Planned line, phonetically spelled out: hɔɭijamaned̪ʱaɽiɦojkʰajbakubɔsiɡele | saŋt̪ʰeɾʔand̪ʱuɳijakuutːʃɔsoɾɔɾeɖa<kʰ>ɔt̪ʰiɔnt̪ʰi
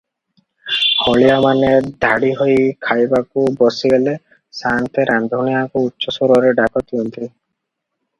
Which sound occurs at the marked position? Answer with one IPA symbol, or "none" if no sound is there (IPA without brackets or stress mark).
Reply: k